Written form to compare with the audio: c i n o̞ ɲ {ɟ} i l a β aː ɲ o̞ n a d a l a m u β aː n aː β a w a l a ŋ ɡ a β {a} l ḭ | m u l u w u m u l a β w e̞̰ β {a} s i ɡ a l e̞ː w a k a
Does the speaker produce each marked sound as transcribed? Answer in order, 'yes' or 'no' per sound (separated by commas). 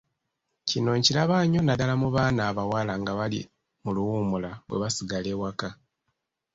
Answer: no, yes, yes